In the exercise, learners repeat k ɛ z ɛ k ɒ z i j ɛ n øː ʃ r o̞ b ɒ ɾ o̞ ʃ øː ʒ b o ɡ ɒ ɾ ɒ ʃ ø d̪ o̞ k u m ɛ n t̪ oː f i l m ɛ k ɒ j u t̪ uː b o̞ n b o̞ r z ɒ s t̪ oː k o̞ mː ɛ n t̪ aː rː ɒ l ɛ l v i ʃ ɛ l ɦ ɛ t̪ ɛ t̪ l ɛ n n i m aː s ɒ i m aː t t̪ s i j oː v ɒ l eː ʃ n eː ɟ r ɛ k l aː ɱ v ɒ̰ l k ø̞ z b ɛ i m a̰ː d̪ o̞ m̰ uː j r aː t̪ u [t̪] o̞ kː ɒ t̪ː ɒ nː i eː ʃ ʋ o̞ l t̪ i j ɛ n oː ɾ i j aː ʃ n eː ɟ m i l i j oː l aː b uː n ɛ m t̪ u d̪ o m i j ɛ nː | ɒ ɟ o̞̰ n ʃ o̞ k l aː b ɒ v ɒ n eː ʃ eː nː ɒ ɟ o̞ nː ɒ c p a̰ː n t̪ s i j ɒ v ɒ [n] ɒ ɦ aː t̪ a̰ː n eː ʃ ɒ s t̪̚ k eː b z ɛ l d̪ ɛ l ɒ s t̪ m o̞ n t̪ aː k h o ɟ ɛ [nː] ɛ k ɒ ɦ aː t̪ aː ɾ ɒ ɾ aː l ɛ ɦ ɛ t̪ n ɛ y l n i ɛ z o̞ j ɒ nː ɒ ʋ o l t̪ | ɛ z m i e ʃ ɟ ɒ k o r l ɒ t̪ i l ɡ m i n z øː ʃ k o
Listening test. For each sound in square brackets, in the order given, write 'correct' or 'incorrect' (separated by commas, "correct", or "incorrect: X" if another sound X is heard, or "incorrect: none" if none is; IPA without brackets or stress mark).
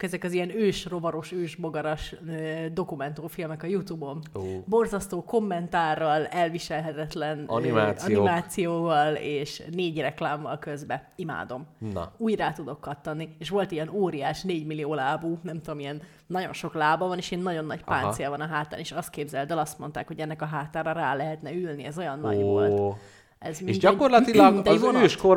incorrect: d̪, correct, correct